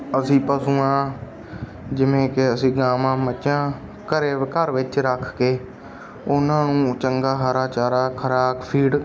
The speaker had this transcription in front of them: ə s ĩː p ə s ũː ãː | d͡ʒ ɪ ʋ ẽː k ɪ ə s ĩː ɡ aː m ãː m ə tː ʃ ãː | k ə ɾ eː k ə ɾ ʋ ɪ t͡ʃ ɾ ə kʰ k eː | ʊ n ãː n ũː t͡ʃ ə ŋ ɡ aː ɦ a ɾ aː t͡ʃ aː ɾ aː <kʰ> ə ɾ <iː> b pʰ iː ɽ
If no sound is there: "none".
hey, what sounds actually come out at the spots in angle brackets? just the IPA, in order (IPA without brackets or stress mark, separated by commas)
kʰ, aː